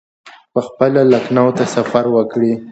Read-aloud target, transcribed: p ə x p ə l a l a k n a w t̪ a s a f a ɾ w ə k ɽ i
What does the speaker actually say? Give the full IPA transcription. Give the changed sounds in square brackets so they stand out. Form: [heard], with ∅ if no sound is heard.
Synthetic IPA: p ə x p ə l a l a k n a w t̪ a s a f a ɾ w ə k ɽ i